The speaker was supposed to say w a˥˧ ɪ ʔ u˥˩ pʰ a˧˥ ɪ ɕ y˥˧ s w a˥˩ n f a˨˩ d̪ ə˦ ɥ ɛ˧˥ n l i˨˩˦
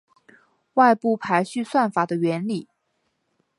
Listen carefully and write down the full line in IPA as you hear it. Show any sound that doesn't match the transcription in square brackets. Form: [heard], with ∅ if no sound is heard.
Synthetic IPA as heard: w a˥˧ ɪ [p] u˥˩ pʰ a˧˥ ɪ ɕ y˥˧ s w a˥˩ n f a˨˩ d̪ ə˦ ɥ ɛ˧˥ n l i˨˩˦